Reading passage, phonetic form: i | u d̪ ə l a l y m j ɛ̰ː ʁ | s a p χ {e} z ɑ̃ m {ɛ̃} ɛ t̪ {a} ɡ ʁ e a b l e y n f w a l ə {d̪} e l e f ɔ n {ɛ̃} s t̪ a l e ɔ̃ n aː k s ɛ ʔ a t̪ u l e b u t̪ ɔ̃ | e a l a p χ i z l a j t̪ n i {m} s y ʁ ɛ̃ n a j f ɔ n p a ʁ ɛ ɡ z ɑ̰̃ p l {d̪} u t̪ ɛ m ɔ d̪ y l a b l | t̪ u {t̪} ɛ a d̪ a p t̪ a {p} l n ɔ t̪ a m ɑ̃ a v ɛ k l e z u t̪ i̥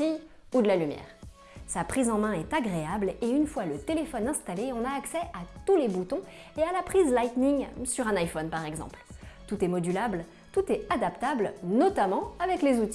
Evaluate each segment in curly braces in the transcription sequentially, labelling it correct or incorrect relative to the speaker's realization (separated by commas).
incorrect, correct, correct, incorrect, correct, incorrect, incorrect, correct, incorrect